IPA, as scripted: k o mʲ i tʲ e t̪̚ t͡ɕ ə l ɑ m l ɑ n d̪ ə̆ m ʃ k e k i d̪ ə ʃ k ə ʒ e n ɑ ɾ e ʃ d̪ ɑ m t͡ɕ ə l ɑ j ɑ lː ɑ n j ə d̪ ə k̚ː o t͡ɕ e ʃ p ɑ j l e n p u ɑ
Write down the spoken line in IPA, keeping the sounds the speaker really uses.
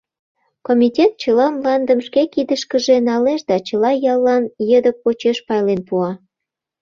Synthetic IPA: k o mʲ i tʲ e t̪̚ t͡ɕ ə l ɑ m l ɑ n d̪ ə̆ m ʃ k e k i d̪ ə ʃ k ə ʒ e n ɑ l e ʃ d̪ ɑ t͡ɕ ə l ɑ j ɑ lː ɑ n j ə d̪ ə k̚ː o t͡ɕ e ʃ p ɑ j l e n p u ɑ